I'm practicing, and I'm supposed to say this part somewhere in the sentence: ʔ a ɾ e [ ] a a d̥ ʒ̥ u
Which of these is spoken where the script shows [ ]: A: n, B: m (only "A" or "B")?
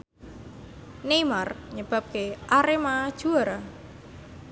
B